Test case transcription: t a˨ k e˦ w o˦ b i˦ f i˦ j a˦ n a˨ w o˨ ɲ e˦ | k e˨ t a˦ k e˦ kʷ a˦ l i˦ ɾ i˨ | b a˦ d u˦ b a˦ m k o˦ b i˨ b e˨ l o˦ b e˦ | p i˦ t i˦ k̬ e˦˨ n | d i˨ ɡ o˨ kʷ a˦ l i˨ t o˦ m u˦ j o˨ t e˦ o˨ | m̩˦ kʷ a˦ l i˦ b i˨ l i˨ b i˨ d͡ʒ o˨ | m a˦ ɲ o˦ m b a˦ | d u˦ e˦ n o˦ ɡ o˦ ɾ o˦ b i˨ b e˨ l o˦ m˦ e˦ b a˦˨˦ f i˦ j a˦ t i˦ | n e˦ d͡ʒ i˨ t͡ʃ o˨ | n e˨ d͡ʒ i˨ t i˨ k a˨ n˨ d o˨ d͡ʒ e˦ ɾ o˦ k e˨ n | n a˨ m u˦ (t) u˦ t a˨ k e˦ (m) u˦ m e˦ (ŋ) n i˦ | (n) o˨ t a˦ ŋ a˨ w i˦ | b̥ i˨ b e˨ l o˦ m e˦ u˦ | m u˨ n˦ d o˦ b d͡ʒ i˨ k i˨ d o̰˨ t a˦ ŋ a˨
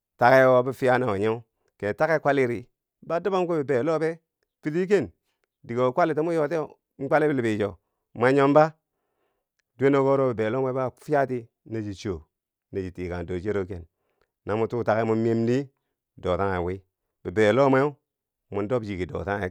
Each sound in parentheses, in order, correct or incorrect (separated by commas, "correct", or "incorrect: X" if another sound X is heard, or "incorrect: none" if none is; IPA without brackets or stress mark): correct, correct, incorrect: m, incorrect: d